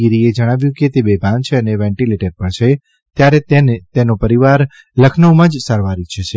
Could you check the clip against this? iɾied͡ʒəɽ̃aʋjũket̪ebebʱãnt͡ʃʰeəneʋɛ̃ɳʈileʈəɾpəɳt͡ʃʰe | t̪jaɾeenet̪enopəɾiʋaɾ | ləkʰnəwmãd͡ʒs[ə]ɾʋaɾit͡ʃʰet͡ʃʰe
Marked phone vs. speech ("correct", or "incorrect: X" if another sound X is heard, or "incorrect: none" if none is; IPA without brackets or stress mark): incorrect: a